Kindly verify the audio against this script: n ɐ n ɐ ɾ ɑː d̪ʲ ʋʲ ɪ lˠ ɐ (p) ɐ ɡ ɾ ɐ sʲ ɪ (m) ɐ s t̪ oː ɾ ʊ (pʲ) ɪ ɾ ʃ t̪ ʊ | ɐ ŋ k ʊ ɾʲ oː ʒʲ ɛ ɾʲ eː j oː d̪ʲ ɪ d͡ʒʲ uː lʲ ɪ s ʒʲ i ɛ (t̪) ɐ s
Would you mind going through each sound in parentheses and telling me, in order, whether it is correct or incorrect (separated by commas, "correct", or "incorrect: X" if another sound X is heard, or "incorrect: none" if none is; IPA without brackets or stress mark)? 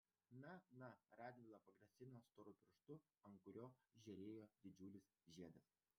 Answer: correct, incorrect: n, correct, incorrect: d̪